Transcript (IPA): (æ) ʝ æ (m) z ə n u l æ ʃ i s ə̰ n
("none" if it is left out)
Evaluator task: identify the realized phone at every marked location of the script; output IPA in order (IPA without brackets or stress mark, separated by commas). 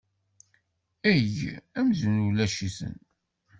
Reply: æ, m